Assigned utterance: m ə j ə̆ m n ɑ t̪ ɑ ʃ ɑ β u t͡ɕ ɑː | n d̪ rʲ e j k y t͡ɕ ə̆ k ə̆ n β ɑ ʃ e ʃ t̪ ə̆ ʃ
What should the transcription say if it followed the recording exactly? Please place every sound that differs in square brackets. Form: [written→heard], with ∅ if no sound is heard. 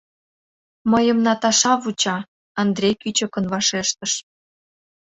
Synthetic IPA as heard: m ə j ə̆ m n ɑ t̪ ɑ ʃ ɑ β u t͡ɕ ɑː | n d̪ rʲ e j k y t͡ɕ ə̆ k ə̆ n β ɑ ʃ e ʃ t̪ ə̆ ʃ